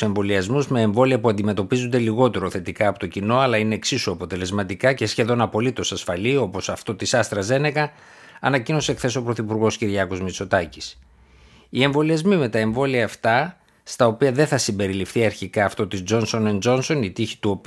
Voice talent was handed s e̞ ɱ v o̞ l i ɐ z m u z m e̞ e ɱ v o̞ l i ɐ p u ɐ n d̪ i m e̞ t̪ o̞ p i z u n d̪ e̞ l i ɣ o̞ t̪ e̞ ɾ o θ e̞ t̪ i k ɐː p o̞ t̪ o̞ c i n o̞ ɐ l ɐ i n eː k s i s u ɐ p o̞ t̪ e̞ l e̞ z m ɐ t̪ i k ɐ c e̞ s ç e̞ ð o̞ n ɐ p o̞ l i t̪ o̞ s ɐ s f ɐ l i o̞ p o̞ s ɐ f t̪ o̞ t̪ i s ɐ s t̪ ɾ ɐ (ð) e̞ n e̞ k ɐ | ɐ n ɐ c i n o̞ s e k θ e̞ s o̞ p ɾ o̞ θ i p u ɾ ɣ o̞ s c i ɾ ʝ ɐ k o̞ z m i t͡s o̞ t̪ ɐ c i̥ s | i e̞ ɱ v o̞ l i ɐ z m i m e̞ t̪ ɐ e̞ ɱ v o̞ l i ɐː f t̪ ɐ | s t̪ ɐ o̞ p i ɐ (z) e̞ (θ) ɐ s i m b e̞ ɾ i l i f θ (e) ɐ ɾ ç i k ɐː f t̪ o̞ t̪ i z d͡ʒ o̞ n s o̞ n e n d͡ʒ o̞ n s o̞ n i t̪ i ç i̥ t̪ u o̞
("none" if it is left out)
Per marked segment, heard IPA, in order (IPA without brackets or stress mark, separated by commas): z, ð, θ, i